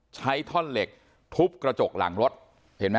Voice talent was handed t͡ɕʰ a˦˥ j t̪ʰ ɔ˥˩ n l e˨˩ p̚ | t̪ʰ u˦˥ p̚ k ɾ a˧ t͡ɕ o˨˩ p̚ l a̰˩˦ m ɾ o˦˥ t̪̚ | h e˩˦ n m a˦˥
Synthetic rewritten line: t͡ɕʰ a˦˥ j t̪ʰ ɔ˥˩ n l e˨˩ k̚ | t̪ʰ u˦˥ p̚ k ɾ a˧ t͡ɕ o˨˩ k̚ l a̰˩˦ ŋ ɾ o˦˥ t̪̚ | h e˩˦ n m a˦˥

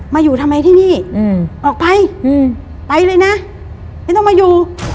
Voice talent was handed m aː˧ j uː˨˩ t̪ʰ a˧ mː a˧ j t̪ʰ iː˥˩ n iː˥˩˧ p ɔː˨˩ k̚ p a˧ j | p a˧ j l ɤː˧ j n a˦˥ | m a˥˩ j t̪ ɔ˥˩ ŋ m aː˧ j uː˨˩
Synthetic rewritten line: m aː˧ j uː˨˩ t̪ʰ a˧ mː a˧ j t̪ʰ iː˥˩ n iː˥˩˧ ʔ ɔː˨˩ k̚ p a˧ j | p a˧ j l ɤː˧ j n a˦˥ | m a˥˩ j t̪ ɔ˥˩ ŋ m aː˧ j uː˨˩

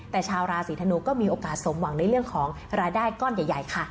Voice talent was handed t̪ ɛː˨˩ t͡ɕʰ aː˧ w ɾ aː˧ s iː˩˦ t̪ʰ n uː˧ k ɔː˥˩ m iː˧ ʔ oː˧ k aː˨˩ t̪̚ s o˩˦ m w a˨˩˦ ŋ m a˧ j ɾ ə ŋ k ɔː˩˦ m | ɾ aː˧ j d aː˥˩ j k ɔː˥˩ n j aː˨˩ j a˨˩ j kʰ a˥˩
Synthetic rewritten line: t̪ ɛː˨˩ t͡ɕʰ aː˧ w ɾ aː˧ s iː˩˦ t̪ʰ n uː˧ k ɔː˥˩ m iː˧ ʔ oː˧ k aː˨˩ t̪̚ s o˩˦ m w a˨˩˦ ŋ n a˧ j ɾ ə ŋ kʰ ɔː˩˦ ŋ | ɾ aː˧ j d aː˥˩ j k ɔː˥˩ n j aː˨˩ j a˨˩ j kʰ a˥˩

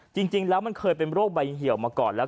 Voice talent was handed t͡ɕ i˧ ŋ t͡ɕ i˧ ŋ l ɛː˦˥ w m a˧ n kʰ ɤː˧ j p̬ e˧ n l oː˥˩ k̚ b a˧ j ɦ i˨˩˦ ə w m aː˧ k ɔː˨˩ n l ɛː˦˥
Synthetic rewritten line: t͡ɕ i˧ ŋ t͡ɕ i˧ ŋ l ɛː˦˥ w m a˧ n kʰ ɤː˧ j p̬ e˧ n ɾ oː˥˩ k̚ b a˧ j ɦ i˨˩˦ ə w m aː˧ k ɔː˨˩ n l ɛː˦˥

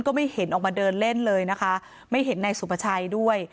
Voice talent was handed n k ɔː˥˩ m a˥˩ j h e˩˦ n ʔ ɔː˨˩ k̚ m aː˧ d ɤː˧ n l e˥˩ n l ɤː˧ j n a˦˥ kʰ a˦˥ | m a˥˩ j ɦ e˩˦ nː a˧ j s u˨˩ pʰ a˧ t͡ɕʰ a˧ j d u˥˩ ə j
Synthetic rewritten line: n k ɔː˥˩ m a˥˩ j h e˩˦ n ʔ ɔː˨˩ k̚ m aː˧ d ɤː˧ n l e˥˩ n l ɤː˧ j n a˦˥ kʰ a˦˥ | m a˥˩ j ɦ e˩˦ nː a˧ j s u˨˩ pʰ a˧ t͡ɕʰ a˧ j d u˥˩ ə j

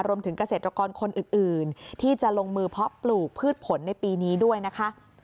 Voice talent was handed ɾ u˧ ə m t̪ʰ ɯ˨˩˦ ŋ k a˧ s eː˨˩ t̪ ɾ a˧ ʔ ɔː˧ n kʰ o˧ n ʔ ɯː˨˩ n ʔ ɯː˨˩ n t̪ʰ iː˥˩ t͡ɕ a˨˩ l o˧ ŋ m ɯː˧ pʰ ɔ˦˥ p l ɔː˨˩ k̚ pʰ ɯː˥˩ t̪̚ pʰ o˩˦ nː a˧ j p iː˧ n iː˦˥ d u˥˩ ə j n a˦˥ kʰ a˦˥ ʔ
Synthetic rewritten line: ɾ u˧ ə m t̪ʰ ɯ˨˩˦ ŋ k a˧ s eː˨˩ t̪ ɾ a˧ k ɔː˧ n kʰ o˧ n ʔ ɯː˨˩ n ʔ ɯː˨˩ n t̪ʰ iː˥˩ t͡ɕ a˨˩ l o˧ ŋ m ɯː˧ pʰ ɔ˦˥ p l uː˨˩ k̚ pʰ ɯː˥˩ t̪̚ pʰ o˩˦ nː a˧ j p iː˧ n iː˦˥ d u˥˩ ə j n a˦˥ kʰ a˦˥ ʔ

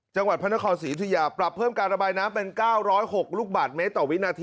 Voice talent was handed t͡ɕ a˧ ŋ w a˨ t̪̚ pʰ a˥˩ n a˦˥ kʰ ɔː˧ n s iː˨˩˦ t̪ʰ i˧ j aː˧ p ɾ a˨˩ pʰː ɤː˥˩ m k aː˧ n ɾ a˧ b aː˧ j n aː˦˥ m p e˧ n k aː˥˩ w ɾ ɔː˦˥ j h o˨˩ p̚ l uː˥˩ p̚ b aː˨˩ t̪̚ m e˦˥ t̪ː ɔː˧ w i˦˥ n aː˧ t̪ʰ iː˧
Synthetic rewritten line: t͡ɕ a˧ ŋ w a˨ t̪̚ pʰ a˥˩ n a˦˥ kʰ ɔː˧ n s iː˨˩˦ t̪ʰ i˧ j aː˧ p ɾ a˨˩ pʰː ɤː˥˩ m k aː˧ n ɾ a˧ b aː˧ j n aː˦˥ m p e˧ n k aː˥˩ w ɾ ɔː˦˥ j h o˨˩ k̚ l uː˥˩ k̚ b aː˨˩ t̪̚ m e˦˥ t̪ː ɔː˨˩ w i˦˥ n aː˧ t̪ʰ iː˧

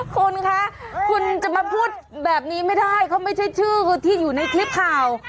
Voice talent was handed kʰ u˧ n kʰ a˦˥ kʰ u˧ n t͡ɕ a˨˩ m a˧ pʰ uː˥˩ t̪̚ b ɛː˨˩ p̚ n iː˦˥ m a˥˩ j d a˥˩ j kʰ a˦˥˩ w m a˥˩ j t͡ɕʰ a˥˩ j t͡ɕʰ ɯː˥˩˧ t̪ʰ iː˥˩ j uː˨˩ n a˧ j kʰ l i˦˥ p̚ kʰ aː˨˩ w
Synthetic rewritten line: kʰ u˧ n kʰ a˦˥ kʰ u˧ n t͡ɕ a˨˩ m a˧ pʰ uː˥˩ t̪̚ b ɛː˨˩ p̚ n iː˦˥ m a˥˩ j d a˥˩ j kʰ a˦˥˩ w m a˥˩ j t͡ɕʰ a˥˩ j t͡ɕʰ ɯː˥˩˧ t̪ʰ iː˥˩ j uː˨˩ n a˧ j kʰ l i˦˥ p̚ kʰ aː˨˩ w

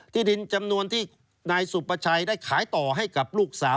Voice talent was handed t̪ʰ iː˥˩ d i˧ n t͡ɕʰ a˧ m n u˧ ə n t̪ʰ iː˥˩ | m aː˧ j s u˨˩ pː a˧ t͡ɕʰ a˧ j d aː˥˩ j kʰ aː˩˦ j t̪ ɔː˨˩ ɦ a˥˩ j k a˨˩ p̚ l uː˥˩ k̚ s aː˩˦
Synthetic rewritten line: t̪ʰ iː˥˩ d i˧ n t͡ɕ a˧ m n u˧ ə n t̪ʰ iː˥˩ | n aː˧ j s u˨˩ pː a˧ t͡ɕʰ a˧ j d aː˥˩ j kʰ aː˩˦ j t̪ ɔː˨˩ ɦ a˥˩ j k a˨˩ p̚ l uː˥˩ k̚ s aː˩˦

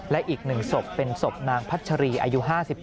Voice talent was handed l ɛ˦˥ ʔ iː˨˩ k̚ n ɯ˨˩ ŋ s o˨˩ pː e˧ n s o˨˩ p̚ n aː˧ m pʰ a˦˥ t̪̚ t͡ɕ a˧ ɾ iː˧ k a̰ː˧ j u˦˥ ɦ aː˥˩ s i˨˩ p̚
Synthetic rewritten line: l ɛ˦˥ ʔ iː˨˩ k̚ n ɯ˨˩ ŋ s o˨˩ pː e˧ n s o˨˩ p̚ n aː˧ ŋ pʰ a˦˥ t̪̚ t͡ɕʰ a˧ ɾ iː˧ ʔ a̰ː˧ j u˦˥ ɦ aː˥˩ s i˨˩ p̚

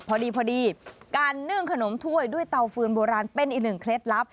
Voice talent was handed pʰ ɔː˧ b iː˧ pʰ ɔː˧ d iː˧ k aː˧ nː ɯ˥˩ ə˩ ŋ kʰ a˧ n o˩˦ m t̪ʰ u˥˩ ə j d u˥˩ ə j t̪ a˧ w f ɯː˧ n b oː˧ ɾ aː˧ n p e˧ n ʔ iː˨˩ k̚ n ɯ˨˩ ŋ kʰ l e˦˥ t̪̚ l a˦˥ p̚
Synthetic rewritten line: pʰ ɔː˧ d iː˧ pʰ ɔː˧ d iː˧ k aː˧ nː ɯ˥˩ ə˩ ŋ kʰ a˧ n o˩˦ m t̪ʰ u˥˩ ə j d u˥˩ ə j t̪ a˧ w f ɯː˧ n b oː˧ ɾ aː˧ n p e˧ n ʔ iː˨˩ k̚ n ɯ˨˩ ŋ kʰ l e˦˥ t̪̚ l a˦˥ p̚

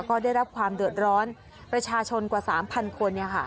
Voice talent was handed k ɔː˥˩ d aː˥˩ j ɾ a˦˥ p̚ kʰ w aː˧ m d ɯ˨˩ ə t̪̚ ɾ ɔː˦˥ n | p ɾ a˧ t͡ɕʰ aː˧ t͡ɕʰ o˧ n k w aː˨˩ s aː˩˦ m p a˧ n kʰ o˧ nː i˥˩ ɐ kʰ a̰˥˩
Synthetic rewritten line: k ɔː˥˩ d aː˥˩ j ɾ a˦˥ p̚ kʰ w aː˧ m d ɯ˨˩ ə t̪̚ ɾ ɔː˦˥ n | p ɾ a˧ t͡ɕʰ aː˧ t͡ɕʰ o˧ n k w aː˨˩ s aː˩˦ m pʰ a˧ n kʰ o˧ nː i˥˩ ɐ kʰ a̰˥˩

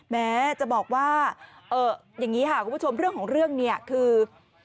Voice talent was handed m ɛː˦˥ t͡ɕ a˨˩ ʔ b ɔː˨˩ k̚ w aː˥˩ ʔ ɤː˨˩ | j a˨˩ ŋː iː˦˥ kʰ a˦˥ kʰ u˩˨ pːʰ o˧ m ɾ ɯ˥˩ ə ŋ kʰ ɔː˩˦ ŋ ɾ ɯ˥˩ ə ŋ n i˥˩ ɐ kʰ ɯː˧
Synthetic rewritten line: m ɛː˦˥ t͡ɕ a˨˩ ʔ b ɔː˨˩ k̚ w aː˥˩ ʔ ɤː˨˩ | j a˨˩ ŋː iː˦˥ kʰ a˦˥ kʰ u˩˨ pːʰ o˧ m ɾ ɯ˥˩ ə ŋ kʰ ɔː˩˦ ŋ ɾ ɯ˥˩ ə ŋ n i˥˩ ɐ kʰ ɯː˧

